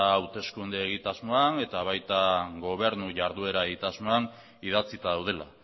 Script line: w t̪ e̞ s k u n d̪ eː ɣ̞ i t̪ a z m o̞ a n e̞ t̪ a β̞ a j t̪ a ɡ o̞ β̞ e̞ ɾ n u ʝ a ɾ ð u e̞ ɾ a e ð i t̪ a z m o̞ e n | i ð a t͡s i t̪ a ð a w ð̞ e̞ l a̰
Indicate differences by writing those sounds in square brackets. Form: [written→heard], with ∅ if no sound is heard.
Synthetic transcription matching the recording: w t̪ e̞ s k u n d̪ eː ɣ̞ i t̪ a z m o̞ a n e̞ t̪ a β̞ a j t̪ a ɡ o̞ β̞ e̞ ɾ n u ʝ a ɾ ð u e̞ ɾ a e [ð→ɣ] i t̪ a z m o̞ [e→a] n | i ð a t͡s i t̪ a ð a w ð̞ e̞ l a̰